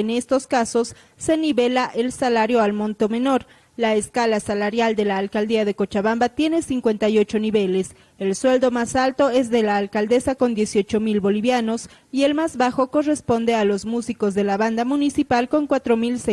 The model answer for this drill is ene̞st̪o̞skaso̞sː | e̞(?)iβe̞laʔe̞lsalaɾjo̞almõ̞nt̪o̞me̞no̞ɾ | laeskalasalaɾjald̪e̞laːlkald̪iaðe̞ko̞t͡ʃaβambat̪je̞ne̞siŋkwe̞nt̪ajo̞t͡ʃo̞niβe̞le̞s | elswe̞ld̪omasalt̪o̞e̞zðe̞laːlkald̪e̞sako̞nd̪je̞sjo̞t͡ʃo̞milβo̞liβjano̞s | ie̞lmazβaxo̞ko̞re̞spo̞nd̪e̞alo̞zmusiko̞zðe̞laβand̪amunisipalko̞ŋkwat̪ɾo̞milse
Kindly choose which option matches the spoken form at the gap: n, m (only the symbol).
n